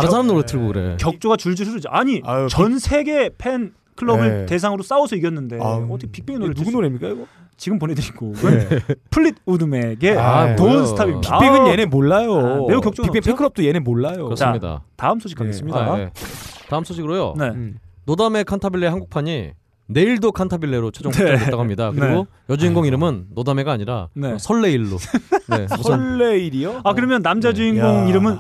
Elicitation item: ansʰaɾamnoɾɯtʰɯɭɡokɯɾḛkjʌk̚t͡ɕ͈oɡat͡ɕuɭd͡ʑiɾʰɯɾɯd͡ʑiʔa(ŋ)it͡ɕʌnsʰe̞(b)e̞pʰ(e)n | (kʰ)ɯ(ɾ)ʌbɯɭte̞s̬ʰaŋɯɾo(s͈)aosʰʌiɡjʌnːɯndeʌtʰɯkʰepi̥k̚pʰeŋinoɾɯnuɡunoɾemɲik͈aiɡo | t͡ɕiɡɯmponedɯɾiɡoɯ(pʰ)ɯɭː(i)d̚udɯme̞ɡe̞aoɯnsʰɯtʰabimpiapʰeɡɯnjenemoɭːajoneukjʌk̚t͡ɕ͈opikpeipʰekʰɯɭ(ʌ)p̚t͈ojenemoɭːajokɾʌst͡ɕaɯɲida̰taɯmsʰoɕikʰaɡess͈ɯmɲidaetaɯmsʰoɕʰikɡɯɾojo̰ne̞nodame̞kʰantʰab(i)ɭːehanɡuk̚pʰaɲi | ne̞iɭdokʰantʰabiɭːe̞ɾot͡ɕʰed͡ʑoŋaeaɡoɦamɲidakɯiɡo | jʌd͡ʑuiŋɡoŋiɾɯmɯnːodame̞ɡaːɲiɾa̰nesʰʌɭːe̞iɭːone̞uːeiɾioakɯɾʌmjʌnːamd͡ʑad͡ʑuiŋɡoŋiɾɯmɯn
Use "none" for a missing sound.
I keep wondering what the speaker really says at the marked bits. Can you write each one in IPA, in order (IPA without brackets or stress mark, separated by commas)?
ɲ, ɡ, e, kʰ, ɭ, s͈, pʰ, i, ʌ, i